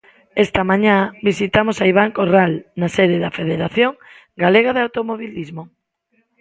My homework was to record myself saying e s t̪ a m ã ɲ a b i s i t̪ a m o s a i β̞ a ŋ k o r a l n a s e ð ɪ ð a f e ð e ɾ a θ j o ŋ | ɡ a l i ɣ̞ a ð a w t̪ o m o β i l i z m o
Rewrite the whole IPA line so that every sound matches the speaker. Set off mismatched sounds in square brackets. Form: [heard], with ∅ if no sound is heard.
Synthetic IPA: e s t̪ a m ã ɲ a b i s i t̪ a m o s a i β̞ a ŋ k o r a l n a s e ð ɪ ð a f e ð e ɾ a θ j o ŋ | ɡ a l [e] ɣ̞ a ð a w t̪ o m o β i l i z m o